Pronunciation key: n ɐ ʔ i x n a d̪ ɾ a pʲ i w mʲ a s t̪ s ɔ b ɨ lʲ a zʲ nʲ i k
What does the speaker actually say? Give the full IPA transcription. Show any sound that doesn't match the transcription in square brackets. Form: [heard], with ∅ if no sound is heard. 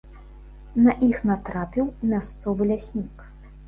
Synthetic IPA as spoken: n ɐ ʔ i x n a [t̪] ɾ a pʲ i w mʲ a s t̪ s ɔ [v] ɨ lʲ a [sʲ] nʲ i k